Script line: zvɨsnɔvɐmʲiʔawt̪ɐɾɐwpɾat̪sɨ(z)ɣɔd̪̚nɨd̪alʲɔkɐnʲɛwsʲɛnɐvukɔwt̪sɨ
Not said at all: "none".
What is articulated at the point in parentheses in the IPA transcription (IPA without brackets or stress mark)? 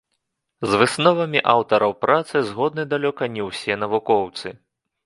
z